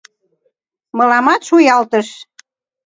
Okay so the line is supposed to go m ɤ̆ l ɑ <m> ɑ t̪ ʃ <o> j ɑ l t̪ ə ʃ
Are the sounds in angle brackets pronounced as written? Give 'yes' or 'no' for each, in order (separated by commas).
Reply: yes, no